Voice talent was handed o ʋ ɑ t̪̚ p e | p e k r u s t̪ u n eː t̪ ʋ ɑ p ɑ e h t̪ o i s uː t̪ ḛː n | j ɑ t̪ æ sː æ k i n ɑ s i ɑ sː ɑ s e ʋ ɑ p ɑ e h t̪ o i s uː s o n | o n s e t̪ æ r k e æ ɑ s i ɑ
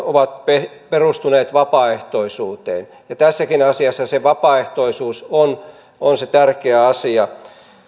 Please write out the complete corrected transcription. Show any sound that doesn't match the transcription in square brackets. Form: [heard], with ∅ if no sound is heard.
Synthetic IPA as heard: o ʋ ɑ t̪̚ p e | p e [∅] r u s t̪ u n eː t̪ ʋ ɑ p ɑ e h t̪ o i s uː t̪ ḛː n | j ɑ t̪ æ sː æ k i n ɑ s i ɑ sː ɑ s e ʋ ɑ p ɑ e h t̪ o i s uː s o n | o n s e t̪ æ r k e æ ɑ s i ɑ